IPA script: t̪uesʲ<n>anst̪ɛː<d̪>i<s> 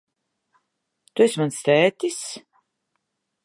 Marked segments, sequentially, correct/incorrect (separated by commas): incorrect, incorrect, correct